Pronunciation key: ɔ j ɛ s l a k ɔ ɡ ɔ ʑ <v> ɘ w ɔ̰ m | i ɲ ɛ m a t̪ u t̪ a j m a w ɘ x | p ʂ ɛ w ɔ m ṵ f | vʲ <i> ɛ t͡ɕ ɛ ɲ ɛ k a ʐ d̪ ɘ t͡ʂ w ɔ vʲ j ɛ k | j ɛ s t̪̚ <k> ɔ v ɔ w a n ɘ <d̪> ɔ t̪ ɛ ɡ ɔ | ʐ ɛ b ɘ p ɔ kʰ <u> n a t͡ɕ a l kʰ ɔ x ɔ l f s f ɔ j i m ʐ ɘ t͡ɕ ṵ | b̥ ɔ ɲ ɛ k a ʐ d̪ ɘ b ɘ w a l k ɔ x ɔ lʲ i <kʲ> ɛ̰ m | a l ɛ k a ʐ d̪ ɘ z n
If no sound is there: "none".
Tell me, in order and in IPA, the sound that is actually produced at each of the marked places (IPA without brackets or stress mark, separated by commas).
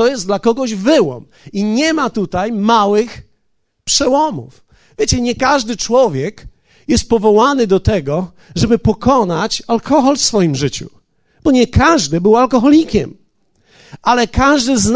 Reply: v, j, p, d̪, ɔ, kʲ